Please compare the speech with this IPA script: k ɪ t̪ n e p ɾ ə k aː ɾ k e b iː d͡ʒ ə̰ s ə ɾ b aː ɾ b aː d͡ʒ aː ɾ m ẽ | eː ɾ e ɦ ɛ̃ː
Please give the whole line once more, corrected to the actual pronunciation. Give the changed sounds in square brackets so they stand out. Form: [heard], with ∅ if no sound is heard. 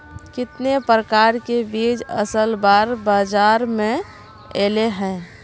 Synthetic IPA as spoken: k ɪ t̪ n e p ɾ ə k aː ɾ k e b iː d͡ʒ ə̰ s ə [l] b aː ɾ b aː d͡ʒ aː ɾ m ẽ | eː [l] e ɦ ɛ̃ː